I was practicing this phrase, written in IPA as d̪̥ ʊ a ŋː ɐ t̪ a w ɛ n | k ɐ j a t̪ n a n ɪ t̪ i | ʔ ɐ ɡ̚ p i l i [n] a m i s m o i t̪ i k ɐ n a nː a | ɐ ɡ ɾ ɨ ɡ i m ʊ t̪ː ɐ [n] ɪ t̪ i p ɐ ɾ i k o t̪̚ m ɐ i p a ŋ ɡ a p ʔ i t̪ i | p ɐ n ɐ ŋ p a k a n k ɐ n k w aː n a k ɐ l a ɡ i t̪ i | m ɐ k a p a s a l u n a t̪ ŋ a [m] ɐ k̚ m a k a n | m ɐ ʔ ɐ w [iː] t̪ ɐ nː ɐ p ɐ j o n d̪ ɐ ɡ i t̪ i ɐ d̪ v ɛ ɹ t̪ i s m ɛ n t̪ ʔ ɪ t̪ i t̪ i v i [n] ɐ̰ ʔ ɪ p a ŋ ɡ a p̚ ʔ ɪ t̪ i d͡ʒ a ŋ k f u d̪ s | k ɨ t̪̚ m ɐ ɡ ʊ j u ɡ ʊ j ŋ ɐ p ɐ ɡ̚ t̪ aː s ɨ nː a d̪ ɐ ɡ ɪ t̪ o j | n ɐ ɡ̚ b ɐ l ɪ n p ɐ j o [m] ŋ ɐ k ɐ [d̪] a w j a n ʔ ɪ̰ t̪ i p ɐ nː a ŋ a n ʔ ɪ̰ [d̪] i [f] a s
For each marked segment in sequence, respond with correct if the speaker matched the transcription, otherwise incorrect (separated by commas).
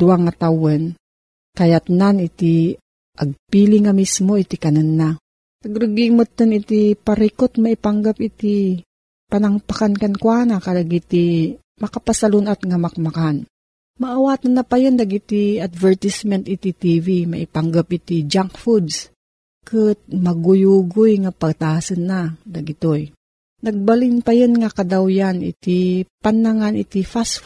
incorrect, correct, correct, incorrect, incorrect, incorrect, correct, incorrect, correct